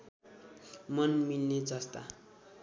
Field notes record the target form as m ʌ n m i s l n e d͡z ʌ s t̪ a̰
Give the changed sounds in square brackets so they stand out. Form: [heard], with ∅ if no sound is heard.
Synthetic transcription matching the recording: m ʌ n m i [∅] l n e d͡z ʌ s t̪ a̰